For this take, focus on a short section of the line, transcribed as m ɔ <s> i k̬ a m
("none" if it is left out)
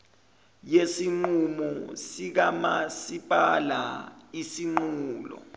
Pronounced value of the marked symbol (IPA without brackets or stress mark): s